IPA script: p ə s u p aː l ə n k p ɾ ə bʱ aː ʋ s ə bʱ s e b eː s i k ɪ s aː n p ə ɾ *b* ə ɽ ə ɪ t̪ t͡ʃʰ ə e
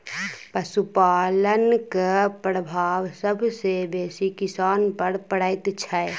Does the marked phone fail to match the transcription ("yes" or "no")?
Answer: yes